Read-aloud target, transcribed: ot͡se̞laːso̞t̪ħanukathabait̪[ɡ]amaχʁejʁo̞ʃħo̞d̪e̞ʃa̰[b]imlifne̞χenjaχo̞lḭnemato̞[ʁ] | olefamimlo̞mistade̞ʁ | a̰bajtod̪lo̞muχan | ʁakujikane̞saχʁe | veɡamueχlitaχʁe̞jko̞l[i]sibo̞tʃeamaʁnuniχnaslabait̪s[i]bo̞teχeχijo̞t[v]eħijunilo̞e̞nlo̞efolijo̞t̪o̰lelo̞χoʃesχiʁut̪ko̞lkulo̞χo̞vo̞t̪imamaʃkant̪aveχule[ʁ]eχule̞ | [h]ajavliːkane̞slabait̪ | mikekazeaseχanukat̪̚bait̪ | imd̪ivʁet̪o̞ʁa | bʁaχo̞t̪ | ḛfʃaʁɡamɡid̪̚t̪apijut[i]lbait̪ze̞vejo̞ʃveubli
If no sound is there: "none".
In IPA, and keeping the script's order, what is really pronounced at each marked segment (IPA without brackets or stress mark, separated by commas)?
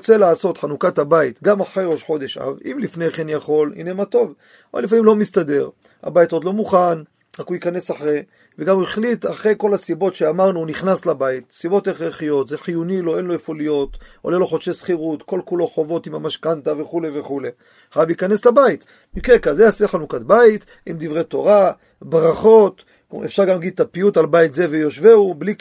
ɡ, v, v, a, i, z, v, χ, a